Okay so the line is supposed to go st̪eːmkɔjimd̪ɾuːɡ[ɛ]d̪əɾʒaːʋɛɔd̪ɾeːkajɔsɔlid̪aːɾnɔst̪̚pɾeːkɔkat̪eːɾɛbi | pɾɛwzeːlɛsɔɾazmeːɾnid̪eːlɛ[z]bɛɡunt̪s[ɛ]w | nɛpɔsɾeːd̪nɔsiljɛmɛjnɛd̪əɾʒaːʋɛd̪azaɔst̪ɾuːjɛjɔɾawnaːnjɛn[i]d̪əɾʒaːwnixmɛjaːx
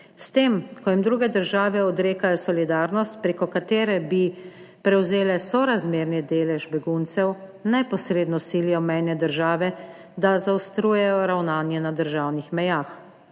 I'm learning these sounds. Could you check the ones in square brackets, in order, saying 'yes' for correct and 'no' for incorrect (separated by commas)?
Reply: yes, no, yes, no